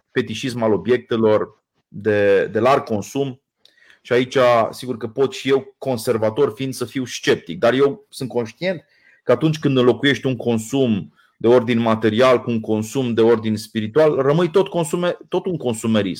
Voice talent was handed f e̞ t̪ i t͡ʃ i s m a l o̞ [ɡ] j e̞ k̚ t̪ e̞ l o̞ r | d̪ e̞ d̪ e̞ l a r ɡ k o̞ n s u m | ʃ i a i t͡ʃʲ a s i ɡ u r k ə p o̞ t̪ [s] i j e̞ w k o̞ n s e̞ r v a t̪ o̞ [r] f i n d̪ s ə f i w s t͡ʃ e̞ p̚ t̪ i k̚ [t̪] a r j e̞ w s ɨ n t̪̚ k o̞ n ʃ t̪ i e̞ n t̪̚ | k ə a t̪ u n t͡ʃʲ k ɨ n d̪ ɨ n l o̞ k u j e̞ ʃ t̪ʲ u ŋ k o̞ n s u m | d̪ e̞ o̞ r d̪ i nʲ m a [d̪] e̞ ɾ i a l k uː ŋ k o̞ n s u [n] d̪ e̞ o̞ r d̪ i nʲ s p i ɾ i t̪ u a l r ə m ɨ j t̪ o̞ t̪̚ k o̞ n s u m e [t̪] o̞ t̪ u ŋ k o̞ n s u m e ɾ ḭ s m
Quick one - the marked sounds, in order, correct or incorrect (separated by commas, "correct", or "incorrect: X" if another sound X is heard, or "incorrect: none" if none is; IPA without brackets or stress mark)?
incorrect: b, incorrect: ʃ, correct, incorrect: d̪, incorrect: t̪, incorrect: m, correct